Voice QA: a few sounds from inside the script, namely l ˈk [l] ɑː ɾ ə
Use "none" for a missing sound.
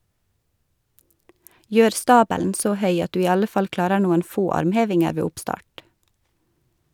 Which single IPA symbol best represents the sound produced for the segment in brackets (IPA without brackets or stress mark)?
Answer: l